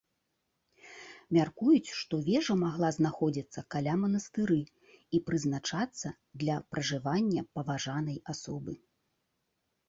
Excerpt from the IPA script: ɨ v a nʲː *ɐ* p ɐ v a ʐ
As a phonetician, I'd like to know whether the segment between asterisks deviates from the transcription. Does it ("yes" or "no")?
no